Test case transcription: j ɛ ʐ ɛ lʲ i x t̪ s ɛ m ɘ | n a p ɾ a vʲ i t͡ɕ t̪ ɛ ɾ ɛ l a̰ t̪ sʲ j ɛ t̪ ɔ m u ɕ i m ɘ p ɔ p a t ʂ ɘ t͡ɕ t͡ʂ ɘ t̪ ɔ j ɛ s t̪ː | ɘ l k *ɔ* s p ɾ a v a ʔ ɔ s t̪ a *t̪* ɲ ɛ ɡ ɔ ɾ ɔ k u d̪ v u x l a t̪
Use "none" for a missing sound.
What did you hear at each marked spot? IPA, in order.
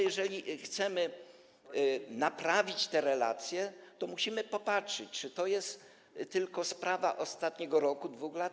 ɔ, t̪

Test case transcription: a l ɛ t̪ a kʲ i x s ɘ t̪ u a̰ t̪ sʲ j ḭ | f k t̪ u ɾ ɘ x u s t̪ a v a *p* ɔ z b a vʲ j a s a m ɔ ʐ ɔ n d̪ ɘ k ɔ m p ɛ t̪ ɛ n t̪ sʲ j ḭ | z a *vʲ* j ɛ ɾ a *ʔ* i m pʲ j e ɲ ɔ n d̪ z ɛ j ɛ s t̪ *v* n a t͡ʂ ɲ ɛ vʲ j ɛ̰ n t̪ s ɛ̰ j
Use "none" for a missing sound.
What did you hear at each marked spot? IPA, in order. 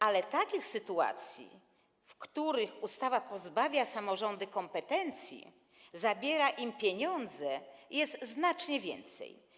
p, bʲ, ʔ, z

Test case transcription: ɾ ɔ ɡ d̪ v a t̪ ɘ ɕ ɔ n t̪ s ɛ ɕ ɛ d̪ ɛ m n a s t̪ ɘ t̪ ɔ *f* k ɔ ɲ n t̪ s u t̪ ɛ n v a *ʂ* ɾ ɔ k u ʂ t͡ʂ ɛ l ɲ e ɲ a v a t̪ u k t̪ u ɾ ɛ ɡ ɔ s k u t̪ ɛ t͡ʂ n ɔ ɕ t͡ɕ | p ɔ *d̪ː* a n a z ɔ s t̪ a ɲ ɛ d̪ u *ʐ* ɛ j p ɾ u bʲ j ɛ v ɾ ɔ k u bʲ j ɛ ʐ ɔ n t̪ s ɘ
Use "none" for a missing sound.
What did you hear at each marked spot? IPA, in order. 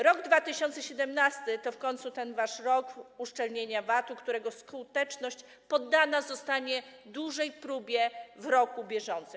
f, ʂ, d̪ː, ʐ

